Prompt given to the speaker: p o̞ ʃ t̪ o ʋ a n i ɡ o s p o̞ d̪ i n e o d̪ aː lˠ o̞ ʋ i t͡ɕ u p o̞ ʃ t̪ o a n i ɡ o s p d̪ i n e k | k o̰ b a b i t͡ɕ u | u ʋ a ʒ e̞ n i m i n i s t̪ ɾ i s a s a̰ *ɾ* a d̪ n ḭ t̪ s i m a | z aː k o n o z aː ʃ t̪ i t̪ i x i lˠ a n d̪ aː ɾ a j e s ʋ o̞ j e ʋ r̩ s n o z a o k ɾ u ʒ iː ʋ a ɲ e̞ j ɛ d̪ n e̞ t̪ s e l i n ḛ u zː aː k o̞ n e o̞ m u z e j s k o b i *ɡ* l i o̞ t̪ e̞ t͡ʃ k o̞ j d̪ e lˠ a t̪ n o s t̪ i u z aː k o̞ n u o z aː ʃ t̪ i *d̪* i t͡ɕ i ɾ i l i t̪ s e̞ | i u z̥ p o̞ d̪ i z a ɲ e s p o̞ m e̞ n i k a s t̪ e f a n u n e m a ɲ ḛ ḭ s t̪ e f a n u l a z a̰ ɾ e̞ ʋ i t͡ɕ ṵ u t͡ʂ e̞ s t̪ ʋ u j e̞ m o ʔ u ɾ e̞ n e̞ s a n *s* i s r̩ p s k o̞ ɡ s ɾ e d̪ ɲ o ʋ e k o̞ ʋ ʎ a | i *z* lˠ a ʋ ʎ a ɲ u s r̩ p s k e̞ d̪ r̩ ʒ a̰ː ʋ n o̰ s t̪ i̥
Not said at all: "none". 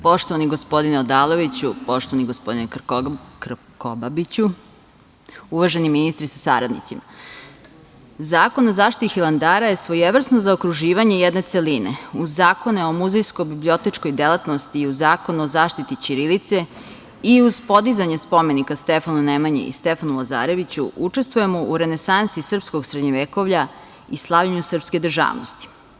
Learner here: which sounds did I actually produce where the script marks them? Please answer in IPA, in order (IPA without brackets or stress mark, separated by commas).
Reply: ɾ, b, t̪, s, s